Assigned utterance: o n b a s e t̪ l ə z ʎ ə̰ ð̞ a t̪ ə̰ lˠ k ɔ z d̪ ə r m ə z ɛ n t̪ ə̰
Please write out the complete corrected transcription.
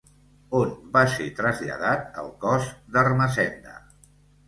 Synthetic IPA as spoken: o n b a s e t̪ ɾ ə z ʎ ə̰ ð̞ a t̪ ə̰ lˠ k ɔ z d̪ ə r m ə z ɛ n d̪ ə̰